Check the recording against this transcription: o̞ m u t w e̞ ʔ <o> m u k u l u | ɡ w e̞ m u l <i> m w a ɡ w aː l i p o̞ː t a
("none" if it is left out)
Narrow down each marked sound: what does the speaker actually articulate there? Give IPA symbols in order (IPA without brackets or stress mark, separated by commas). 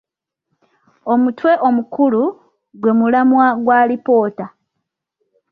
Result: o, a